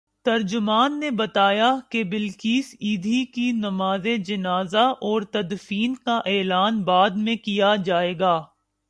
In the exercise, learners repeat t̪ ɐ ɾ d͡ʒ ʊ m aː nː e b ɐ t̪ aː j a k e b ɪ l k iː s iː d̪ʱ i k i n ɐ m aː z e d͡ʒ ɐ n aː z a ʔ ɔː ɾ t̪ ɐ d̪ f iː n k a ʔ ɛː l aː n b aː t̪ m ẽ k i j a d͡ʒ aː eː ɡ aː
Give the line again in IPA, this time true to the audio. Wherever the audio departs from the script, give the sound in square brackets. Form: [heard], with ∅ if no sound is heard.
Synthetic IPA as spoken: t̪ ɐ ɾ d͡ʒ ʊ m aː nː e b ɐ t̪ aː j a k e b ɪ l k iː s iː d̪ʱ i k i n ɐ m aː z e d͡ʒ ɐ n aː z a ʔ ɔː ɾ t̪ ɐ d̪ f iː n k a ʔ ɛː l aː n b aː [d̪] m ẽ k i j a d͡ʒ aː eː ɡ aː